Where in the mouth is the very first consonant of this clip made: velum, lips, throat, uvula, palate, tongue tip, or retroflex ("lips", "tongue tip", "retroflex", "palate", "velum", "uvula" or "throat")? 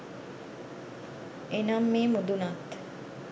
tongue tip